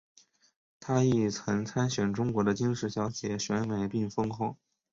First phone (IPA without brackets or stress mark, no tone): t̪ʰ